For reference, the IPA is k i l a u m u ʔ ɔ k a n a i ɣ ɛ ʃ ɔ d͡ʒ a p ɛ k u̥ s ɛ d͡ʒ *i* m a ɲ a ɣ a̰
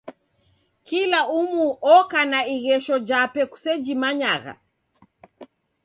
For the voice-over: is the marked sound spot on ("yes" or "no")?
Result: yes